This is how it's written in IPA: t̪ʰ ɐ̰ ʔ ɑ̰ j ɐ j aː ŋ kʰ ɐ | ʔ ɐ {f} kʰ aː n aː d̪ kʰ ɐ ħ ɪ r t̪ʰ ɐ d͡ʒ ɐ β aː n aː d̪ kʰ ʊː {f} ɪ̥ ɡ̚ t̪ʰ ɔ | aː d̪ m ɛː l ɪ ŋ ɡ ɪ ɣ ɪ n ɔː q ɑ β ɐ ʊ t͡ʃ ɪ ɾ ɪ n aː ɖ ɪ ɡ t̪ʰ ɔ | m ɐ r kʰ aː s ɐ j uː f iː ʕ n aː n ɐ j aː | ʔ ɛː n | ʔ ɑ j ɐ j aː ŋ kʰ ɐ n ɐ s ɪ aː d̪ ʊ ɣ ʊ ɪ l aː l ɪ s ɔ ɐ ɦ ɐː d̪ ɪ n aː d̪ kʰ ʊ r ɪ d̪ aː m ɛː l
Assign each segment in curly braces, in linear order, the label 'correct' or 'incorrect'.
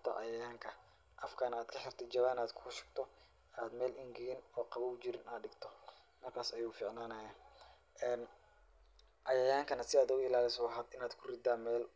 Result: correct, incorrect: ʃ

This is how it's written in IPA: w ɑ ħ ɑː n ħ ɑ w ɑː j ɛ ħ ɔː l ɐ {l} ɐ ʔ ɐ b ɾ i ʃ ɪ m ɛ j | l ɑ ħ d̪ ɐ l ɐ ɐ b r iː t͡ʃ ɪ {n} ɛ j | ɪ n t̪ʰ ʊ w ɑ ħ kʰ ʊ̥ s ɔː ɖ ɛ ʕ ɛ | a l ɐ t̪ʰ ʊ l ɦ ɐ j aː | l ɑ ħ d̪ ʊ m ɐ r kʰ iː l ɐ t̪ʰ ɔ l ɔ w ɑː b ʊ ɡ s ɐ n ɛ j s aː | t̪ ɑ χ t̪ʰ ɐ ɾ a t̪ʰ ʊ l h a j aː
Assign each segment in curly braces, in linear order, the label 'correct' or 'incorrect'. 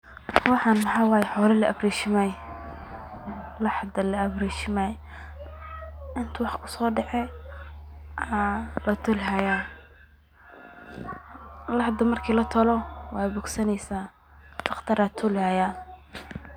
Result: correct, incorrect: m

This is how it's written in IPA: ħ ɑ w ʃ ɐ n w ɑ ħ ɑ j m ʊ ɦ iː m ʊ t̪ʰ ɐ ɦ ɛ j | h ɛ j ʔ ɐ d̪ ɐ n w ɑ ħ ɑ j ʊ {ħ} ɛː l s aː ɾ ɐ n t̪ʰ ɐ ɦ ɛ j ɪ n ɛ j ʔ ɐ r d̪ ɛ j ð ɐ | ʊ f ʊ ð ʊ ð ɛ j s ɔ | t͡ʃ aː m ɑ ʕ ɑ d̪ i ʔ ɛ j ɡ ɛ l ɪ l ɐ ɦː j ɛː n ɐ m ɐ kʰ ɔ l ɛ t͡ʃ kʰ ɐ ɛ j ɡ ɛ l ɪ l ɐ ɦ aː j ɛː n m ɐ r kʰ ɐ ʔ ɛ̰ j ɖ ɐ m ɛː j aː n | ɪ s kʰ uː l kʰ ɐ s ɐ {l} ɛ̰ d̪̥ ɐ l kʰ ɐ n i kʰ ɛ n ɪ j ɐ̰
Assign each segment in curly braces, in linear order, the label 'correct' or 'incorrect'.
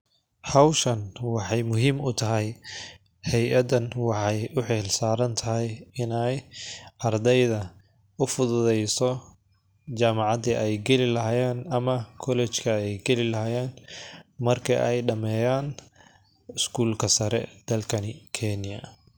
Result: correct, incorrect: ɾ

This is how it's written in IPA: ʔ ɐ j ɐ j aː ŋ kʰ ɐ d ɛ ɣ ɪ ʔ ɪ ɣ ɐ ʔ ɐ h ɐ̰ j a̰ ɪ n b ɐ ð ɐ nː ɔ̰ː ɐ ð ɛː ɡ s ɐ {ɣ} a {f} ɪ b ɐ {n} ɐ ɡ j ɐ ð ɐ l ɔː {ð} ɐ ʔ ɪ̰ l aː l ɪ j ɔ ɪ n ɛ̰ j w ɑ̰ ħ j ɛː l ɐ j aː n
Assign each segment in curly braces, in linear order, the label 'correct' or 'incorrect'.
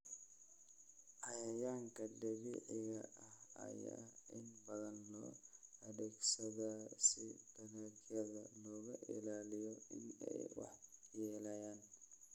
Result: incorrect: ð, incorrect: s, correct, incorrect: ɣ

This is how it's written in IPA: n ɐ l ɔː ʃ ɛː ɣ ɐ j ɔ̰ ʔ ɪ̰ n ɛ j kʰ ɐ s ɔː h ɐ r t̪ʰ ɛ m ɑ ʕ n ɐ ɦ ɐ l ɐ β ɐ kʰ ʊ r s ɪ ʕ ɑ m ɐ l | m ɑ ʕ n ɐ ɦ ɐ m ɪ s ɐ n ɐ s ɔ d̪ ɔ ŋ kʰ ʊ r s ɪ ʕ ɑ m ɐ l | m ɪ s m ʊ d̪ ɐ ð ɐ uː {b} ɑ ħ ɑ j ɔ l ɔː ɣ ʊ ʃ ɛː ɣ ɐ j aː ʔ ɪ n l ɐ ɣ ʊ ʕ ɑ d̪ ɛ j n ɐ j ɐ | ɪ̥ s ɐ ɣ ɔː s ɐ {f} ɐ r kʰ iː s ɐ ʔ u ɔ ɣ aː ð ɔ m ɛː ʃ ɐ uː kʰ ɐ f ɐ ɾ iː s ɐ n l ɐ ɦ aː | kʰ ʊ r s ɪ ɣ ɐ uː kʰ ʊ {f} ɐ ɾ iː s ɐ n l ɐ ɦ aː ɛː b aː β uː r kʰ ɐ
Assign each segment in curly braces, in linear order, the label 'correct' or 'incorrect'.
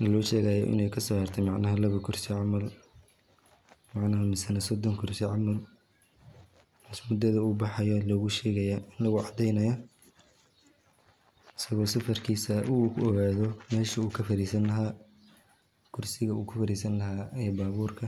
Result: correct, correct, correct

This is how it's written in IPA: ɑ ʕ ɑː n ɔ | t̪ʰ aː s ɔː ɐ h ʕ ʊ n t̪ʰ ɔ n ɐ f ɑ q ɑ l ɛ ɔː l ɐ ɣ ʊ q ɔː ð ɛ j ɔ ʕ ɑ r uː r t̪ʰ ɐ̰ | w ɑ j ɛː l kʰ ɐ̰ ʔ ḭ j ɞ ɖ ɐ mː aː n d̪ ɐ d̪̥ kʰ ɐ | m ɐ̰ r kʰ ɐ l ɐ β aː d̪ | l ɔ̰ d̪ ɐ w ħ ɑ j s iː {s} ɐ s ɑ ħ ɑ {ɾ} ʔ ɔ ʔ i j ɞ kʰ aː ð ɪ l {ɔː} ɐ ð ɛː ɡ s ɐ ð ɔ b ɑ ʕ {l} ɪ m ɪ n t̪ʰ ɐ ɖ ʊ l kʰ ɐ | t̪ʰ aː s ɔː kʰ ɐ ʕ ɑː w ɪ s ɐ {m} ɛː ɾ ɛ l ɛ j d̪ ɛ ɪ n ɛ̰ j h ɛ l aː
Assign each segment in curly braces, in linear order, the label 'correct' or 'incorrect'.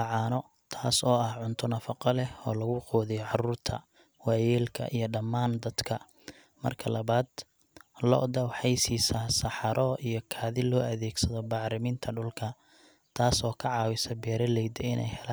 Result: correct, correct, correct, incorrect: ɾ, incorrect: b

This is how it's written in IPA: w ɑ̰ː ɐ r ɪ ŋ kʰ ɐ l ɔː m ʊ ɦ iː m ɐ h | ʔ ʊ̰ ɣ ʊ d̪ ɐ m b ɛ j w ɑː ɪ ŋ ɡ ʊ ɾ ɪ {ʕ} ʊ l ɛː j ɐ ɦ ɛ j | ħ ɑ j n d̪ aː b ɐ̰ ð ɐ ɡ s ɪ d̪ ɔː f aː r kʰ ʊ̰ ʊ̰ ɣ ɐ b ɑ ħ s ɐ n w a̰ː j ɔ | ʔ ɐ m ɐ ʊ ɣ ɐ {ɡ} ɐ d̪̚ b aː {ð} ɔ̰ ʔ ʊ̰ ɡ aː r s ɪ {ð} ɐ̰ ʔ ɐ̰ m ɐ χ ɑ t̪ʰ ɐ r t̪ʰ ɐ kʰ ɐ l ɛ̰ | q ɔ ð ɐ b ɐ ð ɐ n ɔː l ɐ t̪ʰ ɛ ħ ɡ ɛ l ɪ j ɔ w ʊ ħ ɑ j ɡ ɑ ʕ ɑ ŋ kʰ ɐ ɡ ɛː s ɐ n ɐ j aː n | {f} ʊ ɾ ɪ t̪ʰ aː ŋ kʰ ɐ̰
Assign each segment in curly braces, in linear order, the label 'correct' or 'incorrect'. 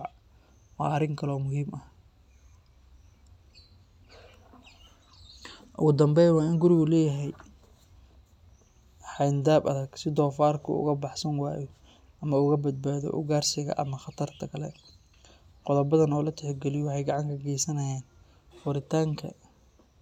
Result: incorrect: ɣ, incorrect: b, correct, incorrect: ɣ, correct

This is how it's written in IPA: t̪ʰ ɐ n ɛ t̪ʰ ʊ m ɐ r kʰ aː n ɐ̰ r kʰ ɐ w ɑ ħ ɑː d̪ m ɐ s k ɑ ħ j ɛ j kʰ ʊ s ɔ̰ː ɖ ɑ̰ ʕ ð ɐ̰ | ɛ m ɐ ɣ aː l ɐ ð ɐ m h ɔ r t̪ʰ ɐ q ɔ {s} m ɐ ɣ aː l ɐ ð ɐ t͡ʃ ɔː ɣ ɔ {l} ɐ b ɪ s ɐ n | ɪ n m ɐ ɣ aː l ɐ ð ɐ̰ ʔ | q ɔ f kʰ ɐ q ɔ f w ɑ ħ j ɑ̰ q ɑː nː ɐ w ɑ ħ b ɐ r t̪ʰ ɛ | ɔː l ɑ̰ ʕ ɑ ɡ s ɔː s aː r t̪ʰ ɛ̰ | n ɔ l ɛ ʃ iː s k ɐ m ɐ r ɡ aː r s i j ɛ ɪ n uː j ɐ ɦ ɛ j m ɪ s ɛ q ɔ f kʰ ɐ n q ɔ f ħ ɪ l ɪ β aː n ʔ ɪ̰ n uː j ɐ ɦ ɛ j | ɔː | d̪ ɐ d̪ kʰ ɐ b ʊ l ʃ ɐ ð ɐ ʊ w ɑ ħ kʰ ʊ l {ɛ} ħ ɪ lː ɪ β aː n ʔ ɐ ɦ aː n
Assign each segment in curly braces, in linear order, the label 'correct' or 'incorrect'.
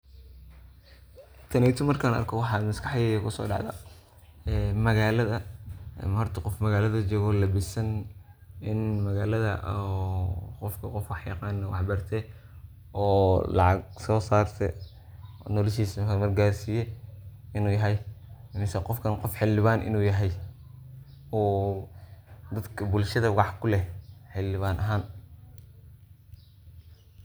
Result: incorrect: f, correct, correct

